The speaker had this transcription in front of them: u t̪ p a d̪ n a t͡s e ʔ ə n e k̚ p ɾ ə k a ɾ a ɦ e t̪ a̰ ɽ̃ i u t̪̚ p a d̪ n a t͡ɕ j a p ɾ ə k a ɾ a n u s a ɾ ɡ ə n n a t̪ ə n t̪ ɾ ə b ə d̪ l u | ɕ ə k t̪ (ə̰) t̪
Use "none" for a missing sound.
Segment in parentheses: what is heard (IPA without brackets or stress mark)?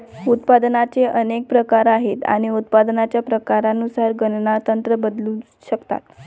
a̰